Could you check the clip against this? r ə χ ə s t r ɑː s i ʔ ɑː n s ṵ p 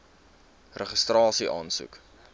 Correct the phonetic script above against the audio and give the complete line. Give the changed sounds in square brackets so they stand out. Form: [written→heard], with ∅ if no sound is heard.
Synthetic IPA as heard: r ə χ ə s t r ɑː s i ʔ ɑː n s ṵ [p→k]